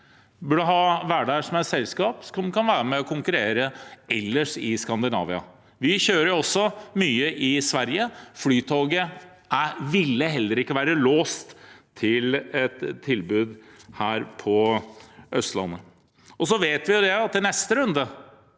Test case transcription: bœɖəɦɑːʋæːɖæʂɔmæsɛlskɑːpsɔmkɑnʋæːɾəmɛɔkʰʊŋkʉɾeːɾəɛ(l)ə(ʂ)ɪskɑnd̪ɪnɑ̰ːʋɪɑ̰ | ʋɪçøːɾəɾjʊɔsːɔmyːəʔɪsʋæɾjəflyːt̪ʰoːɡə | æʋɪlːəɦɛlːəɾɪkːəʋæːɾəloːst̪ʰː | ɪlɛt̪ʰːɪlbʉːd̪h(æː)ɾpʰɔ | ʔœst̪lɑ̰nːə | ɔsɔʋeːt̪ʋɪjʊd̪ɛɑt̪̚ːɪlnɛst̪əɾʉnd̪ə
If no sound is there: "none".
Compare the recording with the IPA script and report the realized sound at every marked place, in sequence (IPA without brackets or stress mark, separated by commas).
lː, ʂ, æː